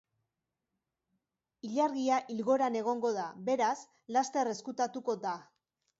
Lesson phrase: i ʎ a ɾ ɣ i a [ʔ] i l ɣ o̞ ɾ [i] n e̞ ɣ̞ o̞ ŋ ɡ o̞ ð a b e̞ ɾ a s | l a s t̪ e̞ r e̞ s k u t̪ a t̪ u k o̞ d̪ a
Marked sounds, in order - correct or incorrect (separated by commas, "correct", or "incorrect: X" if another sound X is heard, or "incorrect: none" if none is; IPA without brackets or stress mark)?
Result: correct, incorrect: a